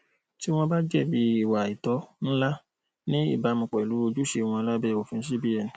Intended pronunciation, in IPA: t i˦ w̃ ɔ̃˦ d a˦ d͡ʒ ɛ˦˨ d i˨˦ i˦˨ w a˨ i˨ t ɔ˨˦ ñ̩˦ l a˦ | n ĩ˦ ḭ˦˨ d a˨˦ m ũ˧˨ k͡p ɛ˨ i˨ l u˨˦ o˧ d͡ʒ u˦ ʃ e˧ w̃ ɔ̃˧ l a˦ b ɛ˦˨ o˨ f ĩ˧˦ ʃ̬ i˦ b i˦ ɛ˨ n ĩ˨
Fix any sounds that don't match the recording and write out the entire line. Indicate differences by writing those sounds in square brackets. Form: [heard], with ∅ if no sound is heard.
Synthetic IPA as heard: t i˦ w̃ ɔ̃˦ [b] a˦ d͡ʒ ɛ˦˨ [b] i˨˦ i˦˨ w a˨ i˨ t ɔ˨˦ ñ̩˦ l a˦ | n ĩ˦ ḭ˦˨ [b] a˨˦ m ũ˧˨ k͡p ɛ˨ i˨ l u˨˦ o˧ d͡ʒ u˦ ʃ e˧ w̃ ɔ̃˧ l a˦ b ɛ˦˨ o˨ f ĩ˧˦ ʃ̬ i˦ b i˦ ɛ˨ n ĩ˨